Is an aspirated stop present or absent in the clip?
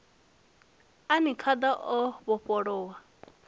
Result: present